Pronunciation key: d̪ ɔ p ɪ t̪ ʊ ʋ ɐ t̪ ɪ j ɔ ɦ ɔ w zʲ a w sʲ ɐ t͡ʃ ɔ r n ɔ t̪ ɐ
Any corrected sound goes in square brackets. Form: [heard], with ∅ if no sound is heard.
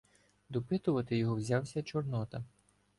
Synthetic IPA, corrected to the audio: d̪ ɔ p ɪ t̪ ʊ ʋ ɐ t̪ ɪ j ɔ ɦ ɔ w zʲ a w sʲ ɐ t͡ʃ ɔ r n ɔ t̪ ɐ

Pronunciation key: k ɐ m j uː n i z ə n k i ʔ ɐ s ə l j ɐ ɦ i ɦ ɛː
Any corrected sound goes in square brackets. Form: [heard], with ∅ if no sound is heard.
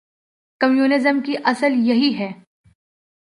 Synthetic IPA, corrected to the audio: k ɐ m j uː n [ɪ] z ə [m] k i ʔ ɐ s ə l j ɐ ɦ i ɦ ɛː

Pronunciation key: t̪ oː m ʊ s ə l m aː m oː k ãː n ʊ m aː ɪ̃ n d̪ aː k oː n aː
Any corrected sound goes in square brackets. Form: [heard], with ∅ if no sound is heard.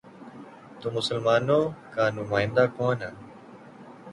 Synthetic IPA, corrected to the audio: t̪ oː m ʊ s ə l m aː [n] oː k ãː n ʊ m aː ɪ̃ n d̪ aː k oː n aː

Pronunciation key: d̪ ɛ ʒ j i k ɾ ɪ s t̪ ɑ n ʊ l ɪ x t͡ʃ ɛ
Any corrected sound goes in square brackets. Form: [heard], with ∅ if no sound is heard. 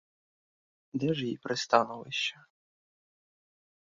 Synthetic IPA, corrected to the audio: d̪ ɛ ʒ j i [p] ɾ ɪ s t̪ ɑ n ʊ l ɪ [ʃ] t͡ʃ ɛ

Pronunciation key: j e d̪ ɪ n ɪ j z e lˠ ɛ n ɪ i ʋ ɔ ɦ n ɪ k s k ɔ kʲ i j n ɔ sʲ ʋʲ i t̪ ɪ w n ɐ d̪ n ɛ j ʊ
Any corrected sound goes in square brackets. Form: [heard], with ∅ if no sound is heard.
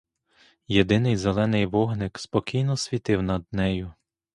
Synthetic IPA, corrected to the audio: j e d̪ ɪ n ɪ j z e lˠ ɛ n ɪ [j] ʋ ɔ ɦ n ɪ k s [p] ɔ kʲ i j n ɔ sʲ ʋʲ i t̪ ɪ w n ɐ d̪ n ɛ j ʊ

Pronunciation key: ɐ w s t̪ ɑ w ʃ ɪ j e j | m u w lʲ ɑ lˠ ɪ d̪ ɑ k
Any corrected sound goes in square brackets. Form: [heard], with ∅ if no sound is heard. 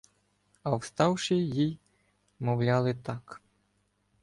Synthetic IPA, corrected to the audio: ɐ w s t̪ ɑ w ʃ ɪ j [i] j | m [ɔ] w lʲ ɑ lˠ ɪ [t̪] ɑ k

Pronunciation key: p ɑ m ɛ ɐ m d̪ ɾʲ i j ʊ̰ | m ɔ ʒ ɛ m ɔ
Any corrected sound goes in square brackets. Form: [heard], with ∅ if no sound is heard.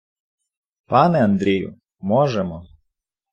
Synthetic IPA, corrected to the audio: p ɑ [n] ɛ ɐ [n] d̪ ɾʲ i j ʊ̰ | m ɔ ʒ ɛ m ɔ

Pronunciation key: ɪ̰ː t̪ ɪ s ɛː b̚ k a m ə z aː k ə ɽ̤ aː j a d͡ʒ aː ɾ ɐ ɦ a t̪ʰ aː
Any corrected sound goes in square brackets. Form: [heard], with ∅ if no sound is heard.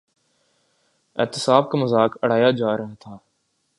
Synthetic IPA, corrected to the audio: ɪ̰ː t̪ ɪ s [aː] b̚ k a m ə z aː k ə ɽ̤ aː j a d͡ʒ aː ɾ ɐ ɦ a t̪ʰ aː

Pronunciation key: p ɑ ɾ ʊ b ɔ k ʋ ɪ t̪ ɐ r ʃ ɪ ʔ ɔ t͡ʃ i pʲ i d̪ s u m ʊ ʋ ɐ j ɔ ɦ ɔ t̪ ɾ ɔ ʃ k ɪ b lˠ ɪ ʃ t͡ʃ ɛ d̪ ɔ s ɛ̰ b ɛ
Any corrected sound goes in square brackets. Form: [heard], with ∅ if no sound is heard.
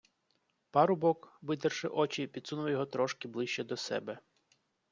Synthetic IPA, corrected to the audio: p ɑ ɾ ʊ b ɔ k ʋ ɪ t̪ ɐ r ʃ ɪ ʔ ɔ t͡ʃ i pʲ i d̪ s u [n] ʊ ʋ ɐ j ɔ ɦ ɔ t̪ ɾ ɔ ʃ k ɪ b lˠ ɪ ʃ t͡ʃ ɛ d̪ ɔ s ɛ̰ b ɛ

